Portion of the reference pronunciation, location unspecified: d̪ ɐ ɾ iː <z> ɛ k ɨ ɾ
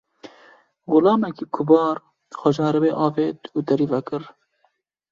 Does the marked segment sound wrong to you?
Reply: yes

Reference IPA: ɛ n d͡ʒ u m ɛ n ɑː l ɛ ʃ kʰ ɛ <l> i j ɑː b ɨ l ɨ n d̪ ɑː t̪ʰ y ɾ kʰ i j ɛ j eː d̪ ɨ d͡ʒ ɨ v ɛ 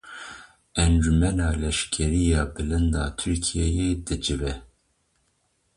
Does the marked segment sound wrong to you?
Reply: yes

